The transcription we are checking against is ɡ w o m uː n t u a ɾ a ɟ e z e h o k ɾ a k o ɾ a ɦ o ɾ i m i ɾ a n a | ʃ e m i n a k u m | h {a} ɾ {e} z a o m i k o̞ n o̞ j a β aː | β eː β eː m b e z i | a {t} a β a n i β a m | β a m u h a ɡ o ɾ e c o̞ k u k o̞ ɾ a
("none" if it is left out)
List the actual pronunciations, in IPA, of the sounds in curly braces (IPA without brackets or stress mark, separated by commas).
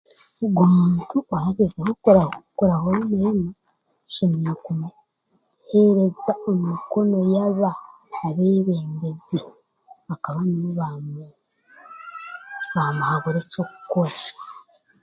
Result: e, e, k